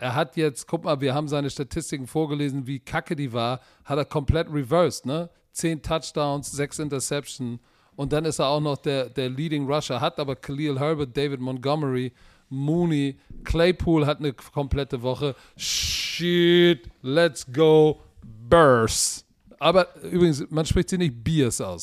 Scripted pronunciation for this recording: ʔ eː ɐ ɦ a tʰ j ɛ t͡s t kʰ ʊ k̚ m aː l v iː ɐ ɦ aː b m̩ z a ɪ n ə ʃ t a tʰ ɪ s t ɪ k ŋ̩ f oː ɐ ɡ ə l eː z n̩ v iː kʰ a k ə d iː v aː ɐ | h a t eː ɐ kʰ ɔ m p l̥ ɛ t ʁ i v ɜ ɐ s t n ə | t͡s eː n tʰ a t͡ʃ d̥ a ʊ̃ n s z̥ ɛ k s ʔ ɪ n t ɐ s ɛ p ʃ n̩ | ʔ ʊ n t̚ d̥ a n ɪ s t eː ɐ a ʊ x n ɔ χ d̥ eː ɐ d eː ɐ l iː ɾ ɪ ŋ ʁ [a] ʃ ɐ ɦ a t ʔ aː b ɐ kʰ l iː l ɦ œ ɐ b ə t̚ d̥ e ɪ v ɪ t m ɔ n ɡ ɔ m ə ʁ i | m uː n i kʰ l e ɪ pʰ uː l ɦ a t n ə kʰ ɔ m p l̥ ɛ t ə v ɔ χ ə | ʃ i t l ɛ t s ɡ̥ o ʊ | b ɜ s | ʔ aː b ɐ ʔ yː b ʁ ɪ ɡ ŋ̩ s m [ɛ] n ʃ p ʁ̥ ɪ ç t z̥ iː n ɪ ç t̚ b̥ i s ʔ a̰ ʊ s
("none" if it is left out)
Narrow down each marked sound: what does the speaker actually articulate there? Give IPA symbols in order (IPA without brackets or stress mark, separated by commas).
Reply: a, a